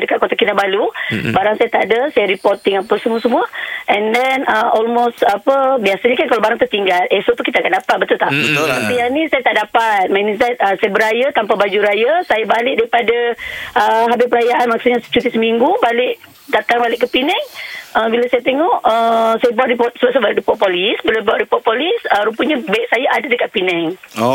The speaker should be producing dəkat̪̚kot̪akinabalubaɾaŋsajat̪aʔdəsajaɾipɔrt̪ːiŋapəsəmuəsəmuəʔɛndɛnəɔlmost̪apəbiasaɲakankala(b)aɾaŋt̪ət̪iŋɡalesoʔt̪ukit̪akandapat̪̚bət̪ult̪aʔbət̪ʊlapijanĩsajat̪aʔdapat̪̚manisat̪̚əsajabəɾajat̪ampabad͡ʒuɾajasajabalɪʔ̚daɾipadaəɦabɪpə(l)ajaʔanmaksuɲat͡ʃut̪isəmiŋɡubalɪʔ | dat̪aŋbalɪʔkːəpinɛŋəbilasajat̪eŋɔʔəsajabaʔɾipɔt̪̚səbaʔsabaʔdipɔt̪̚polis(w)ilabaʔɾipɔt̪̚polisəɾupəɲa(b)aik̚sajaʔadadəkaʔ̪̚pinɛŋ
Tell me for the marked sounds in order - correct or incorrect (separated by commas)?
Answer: correct, incorrect, incorrect, correct